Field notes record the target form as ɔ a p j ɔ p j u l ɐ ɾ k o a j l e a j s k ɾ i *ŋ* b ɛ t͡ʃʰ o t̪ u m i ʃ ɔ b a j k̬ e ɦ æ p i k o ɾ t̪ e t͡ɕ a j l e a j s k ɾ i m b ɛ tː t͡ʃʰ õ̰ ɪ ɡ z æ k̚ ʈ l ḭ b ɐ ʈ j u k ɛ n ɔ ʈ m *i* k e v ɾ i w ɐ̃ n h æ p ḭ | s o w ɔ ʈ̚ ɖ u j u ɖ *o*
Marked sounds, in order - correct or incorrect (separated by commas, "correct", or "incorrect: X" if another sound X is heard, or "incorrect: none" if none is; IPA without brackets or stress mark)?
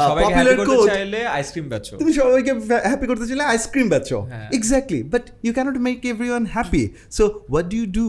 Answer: incorrect: m, incorrect: e, incorrect: u